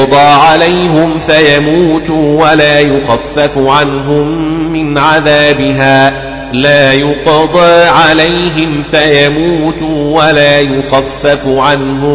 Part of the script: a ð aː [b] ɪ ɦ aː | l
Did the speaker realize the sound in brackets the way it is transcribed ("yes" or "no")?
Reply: yes